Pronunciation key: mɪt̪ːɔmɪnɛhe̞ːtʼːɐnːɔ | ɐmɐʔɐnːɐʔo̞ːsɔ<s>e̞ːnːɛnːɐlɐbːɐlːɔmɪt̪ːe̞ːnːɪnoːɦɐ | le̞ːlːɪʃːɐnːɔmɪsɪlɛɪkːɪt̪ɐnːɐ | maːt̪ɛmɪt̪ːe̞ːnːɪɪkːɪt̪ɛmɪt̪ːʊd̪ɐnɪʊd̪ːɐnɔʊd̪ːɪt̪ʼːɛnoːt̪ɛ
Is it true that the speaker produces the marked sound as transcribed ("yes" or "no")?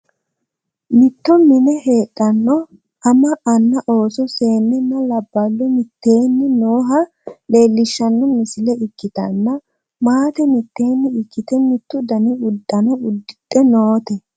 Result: yes